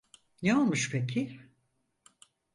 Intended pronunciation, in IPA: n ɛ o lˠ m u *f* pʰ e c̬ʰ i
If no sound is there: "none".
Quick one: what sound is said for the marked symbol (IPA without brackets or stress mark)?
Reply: ʃ